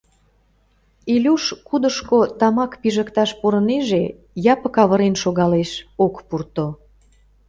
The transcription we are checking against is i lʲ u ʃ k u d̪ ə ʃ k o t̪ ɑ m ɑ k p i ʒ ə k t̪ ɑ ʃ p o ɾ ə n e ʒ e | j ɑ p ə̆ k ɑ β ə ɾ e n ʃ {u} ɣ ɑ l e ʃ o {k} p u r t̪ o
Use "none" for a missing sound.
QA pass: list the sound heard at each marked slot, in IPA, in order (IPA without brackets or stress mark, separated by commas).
o, k